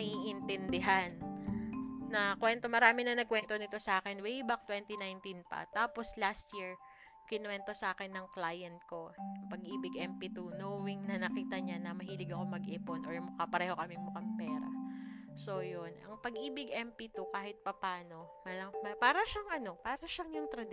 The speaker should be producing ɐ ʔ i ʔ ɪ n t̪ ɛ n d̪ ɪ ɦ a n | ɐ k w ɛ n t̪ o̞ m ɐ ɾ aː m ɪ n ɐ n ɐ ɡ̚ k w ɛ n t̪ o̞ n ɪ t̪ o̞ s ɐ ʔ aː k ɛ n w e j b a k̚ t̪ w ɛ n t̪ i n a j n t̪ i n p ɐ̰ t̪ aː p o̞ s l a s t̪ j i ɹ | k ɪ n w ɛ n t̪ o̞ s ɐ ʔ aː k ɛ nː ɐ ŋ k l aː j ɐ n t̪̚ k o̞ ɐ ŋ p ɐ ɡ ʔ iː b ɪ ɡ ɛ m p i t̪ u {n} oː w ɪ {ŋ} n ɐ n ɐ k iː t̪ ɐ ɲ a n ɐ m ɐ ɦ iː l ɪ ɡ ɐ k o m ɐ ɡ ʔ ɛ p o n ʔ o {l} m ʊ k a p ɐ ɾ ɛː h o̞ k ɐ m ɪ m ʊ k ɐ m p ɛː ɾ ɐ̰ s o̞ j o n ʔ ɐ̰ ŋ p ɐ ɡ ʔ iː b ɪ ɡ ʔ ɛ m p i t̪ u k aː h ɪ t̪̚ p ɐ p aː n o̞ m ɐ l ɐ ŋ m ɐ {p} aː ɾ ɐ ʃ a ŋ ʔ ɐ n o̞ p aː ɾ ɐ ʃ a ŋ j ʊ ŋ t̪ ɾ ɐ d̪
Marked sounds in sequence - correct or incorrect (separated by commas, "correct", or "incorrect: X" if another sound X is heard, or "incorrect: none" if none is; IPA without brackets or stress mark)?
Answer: correct, correct, incorrect: ɹ, correct